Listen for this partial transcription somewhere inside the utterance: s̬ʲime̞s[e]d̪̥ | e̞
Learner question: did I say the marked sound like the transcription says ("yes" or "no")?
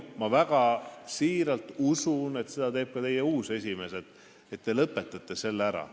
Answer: yes